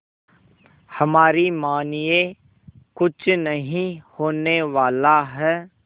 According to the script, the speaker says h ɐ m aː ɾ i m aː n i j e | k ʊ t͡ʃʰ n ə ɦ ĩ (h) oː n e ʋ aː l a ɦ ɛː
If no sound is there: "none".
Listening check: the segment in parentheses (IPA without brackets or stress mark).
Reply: h